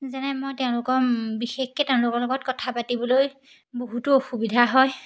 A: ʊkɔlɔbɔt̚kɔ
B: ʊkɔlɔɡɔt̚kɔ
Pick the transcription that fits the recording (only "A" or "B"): B